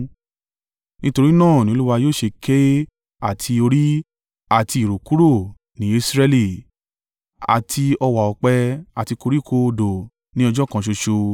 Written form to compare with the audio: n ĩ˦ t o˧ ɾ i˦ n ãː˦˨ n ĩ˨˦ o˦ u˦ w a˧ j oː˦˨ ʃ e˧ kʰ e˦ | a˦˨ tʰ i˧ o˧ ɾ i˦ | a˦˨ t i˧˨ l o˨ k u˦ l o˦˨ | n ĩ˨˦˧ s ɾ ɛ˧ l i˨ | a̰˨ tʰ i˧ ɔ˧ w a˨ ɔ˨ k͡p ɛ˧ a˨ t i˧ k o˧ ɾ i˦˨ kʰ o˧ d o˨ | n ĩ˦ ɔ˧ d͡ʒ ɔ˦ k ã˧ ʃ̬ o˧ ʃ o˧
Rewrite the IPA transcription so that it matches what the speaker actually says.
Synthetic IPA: n ĩ˦ t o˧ ɾ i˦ n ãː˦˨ n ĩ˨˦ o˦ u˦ w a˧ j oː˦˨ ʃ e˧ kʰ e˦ | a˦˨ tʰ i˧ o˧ ɾ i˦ | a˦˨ t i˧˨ ɾ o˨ k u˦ ɾ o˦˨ | n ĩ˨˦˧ s ɾ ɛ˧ l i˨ | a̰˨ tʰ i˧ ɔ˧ w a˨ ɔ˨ k͡p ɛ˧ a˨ t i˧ k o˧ ɾ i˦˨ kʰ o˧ d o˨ | n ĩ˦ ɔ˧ d͡ʒ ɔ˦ k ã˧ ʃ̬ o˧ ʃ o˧